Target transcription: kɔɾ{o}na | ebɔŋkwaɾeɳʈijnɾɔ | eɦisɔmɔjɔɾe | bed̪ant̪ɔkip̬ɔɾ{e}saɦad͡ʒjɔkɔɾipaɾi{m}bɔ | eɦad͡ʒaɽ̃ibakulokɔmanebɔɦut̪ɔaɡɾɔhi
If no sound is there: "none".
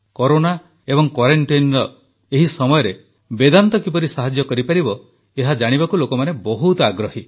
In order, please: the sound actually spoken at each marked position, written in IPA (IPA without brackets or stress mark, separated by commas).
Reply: o, i, none